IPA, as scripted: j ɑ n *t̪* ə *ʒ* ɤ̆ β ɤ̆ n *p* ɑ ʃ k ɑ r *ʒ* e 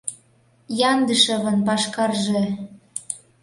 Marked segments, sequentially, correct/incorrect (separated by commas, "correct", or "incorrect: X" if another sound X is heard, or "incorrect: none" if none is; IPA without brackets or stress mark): incorrect: d̪, incorrect: ʃ, correct, correct